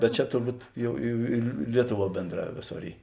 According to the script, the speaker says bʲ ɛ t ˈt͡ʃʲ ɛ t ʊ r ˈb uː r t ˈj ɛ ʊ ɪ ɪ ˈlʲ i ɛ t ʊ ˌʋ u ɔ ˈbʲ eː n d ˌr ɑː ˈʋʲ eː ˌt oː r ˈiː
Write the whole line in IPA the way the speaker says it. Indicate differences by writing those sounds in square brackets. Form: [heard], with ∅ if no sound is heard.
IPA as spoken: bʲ ɛ t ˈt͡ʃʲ ɛ t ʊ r ˈb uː [∅] t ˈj ɛ ʊ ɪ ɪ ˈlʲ i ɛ t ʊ ˌʋ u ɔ ˈbʲ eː n d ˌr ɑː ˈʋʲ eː [ˌs] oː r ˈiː